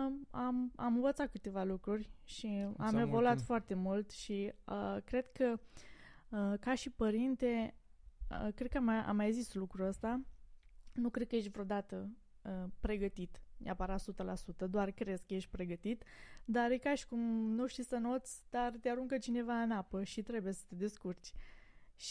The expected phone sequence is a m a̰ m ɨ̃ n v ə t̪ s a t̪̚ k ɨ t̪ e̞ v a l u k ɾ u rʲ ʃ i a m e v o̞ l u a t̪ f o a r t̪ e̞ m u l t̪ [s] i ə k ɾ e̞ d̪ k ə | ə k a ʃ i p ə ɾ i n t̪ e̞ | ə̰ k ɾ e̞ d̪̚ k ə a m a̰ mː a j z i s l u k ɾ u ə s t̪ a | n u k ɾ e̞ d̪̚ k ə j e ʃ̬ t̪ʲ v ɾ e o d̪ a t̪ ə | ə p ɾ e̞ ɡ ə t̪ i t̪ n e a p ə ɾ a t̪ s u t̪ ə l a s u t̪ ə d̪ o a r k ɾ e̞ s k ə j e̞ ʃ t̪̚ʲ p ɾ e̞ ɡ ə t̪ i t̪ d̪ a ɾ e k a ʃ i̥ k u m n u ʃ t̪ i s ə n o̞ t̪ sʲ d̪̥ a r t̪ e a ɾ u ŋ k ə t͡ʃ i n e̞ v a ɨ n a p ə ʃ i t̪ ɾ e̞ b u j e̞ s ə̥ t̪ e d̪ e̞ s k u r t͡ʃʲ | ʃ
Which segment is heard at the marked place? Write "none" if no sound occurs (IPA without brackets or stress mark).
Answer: ʃ